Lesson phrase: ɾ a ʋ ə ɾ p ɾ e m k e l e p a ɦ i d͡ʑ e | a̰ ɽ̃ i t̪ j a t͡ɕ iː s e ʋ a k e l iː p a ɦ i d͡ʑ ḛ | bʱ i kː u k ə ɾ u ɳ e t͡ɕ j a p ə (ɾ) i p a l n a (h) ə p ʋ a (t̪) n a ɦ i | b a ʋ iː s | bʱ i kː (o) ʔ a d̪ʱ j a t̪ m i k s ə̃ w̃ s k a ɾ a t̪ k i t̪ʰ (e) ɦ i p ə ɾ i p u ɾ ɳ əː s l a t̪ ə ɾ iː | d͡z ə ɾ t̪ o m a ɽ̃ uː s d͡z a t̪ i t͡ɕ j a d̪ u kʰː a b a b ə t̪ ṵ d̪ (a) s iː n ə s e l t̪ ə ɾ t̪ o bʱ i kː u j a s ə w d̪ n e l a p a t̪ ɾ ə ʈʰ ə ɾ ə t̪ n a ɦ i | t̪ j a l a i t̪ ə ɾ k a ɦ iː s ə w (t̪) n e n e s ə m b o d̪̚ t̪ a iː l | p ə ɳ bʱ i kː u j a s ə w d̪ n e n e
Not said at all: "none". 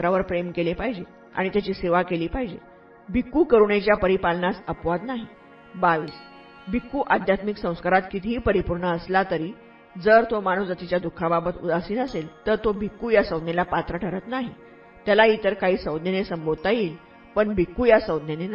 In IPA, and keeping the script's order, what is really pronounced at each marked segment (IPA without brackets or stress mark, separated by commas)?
ɾ, s, d̪, u, i, a, d̪